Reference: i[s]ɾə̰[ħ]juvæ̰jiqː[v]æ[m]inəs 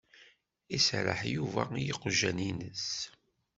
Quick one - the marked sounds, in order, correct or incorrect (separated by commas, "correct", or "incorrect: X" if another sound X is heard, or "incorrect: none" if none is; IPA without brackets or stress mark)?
correct, correct, incorrect: ʒ, incorrect: n